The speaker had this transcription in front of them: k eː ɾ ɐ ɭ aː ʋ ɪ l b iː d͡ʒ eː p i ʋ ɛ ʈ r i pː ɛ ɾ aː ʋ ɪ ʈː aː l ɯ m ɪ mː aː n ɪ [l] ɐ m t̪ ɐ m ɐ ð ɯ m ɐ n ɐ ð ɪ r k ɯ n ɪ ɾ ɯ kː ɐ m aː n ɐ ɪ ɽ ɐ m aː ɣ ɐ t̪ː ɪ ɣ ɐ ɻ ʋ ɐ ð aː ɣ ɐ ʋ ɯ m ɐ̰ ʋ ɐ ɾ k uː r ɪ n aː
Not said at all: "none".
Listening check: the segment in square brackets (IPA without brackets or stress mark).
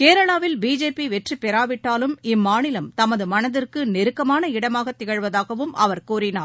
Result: l